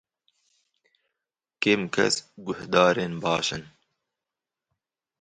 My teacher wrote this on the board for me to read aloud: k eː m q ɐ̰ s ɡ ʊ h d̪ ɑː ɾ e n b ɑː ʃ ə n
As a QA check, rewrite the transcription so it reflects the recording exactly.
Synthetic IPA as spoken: k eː m k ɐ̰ s ɡ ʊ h d̪ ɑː ɾ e n b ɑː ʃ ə n